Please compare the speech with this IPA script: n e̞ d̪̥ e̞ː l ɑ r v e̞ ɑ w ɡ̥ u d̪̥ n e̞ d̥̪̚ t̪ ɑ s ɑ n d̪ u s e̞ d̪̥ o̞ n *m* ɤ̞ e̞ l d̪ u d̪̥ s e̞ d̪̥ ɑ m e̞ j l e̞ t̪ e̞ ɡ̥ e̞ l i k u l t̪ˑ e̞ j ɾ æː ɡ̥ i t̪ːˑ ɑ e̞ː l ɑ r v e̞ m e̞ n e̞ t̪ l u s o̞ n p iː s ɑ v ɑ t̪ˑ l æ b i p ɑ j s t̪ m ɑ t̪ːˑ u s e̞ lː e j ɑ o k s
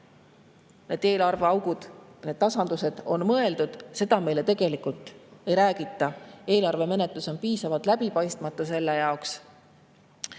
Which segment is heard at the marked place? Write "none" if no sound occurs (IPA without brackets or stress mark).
m